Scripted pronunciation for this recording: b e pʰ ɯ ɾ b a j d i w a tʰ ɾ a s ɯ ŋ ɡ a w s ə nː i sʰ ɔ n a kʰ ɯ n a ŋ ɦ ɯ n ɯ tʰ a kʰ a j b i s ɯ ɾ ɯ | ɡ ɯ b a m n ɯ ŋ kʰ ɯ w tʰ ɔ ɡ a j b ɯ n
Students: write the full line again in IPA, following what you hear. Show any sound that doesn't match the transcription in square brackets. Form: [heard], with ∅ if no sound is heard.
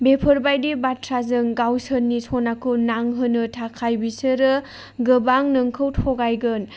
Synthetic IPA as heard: b e pʰ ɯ ɾ b a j d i [b] a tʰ ɾ a [z] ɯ ŋ ɡ a w s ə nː i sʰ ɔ n a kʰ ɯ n a ŋ ɦ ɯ n ɯ tʰ a kʰ a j b i s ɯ ɾ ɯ | ɡ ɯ b a [ŋ] n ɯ ŋ kʰ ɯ w tʰ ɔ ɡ a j [ɡ] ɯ n